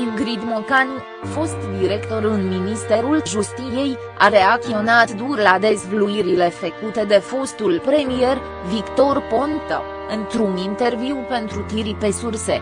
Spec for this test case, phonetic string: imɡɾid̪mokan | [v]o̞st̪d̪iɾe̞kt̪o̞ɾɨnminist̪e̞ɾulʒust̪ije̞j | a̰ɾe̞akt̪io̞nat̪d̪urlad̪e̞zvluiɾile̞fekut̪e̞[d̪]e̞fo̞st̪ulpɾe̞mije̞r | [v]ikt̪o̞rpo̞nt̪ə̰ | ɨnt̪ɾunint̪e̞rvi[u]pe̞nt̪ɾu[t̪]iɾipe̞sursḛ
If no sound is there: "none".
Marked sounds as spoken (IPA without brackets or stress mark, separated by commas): f, d̪, v, w, t̪